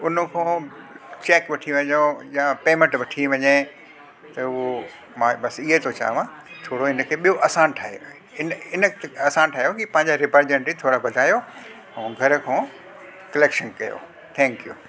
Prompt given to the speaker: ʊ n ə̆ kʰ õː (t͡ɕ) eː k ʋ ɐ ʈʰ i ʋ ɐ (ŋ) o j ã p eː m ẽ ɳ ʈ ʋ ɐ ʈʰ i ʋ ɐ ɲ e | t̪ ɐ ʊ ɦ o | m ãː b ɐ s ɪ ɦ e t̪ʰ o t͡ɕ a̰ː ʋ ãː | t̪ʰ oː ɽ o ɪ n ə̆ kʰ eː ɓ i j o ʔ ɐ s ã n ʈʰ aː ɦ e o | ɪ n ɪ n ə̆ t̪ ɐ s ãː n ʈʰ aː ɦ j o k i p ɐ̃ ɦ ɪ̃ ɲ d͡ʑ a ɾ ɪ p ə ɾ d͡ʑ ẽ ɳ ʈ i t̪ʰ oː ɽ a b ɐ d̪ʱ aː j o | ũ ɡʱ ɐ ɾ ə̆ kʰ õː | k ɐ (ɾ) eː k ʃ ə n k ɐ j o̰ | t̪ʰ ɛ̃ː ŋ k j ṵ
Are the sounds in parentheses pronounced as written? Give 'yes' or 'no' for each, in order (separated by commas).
yes, no, no